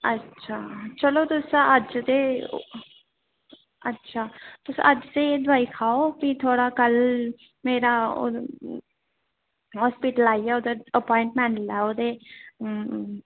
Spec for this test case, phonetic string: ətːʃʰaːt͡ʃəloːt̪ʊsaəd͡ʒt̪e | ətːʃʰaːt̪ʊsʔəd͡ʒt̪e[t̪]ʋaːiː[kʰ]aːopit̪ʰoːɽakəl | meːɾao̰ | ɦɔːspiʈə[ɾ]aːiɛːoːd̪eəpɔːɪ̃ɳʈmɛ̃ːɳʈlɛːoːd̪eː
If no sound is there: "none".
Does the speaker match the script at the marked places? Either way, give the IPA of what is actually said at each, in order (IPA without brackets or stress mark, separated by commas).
d̪, kʰ, l